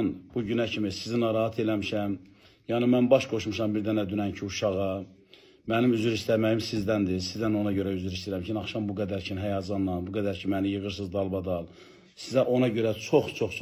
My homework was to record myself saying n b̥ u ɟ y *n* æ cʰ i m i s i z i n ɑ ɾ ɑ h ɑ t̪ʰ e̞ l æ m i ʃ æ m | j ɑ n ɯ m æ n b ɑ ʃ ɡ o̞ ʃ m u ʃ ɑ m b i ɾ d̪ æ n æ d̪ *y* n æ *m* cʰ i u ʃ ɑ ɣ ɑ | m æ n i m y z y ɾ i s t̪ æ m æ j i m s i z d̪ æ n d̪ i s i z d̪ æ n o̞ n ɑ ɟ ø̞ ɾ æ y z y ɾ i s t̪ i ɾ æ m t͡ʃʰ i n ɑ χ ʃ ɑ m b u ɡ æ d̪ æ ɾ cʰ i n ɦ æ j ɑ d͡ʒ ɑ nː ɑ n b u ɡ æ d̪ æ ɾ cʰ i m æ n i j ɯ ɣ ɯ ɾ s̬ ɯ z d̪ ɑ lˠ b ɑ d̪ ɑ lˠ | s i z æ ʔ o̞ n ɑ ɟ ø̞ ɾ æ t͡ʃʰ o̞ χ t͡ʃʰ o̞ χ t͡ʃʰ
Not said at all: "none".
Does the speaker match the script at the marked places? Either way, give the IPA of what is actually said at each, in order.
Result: n, y, n

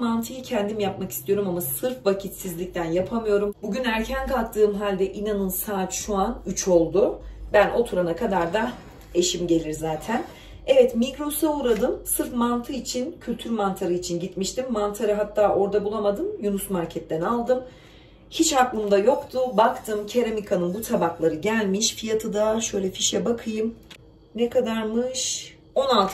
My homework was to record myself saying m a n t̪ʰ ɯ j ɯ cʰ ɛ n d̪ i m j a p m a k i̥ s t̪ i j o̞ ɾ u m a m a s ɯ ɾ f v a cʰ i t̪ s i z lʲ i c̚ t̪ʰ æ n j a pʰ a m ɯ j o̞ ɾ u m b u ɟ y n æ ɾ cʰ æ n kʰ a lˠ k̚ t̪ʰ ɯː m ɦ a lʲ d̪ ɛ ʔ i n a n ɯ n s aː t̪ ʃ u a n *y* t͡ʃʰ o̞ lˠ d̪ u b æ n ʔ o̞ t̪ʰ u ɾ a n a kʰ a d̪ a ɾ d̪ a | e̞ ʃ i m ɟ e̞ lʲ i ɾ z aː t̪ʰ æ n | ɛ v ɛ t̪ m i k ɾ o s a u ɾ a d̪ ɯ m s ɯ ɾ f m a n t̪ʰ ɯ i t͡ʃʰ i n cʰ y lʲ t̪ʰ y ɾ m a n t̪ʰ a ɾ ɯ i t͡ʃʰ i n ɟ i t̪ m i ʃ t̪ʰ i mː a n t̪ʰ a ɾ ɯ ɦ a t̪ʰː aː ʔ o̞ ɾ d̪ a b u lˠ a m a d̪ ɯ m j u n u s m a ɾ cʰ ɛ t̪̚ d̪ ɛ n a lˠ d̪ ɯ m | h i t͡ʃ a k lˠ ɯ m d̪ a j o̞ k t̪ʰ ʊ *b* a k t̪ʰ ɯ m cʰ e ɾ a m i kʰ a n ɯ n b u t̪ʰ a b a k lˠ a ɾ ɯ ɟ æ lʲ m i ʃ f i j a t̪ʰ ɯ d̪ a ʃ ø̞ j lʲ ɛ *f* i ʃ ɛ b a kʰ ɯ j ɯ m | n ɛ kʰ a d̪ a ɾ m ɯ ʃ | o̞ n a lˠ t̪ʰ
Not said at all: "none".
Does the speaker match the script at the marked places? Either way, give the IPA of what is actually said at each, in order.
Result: y, b, f

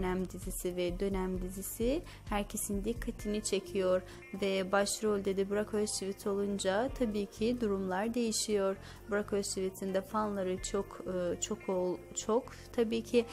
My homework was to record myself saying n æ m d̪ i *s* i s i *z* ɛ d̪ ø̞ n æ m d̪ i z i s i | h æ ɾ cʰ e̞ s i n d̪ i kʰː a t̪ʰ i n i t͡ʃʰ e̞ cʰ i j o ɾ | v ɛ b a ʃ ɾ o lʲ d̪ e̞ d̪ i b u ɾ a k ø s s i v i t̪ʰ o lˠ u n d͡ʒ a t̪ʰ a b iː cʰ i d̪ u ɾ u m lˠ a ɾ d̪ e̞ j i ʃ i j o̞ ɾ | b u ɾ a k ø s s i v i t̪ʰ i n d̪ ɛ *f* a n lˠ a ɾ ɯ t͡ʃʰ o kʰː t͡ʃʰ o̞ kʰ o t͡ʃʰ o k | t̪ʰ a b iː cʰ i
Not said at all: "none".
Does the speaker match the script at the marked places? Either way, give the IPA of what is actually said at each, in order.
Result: z, v, f

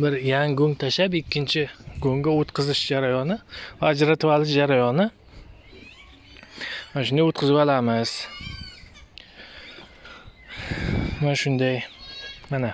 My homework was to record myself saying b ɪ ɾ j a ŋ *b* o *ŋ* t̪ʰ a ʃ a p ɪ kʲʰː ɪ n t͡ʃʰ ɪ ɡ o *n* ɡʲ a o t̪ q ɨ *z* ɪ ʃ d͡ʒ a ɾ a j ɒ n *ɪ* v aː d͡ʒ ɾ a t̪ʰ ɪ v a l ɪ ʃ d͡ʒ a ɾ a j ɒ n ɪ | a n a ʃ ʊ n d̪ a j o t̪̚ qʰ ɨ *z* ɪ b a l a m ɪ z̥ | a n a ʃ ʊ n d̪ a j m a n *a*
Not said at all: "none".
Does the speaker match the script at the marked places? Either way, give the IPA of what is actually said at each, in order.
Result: ɡ, ŋ, ŋ, z, ɪ, z, a

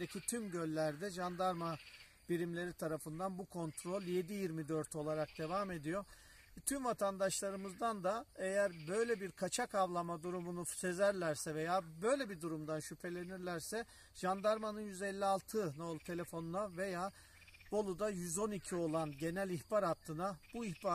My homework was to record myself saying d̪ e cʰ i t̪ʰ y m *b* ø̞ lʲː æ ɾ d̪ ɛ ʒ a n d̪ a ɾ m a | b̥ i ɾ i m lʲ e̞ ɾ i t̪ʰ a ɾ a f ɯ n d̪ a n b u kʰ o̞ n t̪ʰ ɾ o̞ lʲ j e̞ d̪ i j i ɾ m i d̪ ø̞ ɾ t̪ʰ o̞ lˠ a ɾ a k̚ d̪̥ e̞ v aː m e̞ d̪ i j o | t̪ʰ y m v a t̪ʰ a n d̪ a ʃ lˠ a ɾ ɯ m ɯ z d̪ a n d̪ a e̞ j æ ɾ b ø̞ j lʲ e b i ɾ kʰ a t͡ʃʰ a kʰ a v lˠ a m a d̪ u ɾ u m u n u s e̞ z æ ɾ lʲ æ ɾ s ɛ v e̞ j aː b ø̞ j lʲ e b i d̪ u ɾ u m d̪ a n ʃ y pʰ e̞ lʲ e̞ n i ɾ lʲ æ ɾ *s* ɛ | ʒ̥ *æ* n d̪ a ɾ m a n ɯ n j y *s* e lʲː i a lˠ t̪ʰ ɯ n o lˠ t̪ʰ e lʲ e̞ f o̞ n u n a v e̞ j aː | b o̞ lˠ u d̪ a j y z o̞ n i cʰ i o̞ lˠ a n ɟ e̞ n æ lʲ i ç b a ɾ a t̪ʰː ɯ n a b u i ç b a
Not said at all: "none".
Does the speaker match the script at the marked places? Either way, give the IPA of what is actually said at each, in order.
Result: ɟ, s, a, z

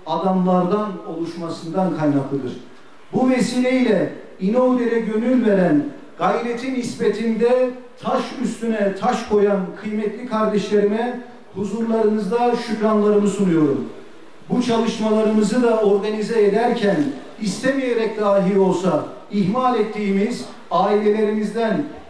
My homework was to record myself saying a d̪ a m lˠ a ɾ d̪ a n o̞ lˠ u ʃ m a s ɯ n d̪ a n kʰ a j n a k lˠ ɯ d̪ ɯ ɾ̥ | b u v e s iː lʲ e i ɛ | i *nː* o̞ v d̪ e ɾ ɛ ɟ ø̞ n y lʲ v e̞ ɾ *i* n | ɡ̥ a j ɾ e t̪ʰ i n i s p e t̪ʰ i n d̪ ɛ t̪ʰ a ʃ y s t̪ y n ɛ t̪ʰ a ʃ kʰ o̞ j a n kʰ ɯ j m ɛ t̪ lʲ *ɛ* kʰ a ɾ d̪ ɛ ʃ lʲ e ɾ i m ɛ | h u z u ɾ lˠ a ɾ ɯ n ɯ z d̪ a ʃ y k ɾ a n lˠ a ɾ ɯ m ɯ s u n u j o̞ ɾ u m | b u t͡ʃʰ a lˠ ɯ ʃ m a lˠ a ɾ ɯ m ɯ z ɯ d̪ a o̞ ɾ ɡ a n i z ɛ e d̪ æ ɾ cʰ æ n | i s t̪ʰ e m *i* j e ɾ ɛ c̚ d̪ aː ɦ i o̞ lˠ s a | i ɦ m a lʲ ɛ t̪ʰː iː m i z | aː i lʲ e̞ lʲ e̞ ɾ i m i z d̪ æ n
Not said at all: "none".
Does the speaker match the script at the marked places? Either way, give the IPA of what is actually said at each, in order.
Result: n, æ, i, i

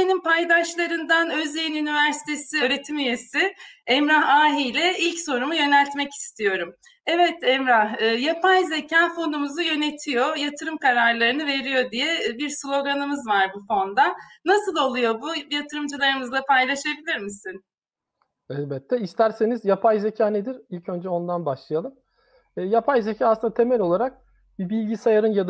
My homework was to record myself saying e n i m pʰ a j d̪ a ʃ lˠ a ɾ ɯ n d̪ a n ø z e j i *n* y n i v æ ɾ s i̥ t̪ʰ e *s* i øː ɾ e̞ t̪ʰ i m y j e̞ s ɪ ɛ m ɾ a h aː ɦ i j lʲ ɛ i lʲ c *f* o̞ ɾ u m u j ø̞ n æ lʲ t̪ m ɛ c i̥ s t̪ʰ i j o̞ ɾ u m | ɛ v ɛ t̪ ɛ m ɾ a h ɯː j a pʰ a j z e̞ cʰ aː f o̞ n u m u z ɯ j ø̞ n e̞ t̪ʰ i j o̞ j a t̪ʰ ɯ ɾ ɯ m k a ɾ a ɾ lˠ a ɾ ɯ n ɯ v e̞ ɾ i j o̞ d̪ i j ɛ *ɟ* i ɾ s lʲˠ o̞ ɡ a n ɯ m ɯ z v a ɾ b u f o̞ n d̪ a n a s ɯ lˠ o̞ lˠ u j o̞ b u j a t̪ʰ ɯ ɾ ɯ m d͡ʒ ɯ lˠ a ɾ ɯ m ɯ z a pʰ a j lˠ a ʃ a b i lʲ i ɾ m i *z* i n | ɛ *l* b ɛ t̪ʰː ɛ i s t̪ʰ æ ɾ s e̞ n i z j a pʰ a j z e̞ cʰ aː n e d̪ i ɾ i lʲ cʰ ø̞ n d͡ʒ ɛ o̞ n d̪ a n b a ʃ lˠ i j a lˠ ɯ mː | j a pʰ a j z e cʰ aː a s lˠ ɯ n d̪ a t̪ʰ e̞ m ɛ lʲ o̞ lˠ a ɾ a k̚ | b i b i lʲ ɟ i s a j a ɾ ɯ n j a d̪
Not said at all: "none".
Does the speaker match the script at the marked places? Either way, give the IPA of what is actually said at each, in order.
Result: n, s, s, b, s, l

